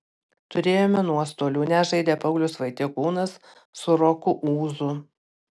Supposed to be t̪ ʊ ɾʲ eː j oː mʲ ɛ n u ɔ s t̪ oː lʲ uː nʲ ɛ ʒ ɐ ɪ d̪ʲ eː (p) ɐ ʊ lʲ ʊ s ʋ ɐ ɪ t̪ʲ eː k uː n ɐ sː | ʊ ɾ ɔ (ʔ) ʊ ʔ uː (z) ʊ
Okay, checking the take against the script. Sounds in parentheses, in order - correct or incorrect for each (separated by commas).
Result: correct, incorrect, correct